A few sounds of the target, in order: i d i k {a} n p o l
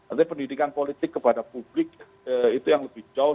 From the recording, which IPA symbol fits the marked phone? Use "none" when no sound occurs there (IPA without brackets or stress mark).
a